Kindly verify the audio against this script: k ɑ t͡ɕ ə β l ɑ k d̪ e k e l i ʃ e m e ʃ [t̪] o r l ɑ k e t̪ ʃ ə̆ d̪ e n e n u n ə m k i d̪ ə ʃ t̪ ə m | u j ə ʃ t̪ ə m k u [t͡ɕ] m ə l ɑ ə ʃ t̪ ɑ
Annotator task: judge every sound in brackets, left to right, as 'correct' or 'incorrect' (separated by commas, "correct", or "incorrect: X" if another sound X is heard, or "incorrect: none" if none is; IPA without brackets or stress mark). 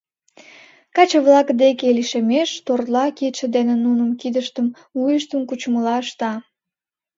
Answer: correct, correct